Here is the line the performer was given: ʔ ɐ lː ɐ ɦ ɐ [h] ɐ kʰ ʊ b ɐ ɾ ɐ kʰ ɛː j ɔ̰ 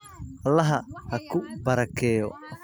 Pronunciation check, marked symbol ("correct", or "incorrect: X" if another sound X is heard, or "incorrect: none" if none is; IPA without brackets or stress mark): correct